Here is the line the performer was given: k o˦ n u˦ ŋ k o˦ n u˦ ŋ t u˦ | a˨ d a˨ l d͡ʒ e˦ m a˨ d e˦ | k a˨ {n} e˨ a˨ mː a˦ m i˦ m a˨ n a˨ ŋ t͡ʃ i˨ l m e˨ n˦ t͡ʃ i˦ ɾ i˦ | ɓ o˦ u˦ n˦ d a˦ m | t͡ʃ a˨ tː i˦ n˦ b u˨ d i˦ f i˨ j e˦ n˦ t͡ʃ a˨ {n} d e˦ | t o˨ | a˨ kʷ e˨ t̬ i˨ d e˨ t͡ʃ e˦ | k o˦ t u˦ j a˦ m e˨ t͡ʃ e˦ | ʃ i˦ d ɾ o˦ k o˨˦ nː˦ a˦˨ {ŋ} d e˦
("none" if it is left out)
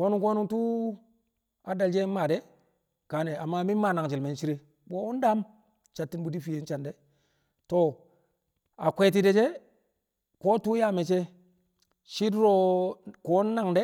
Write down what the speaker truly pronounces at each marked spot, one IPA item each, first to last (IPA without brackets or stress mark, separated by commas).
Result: n, n, ŋ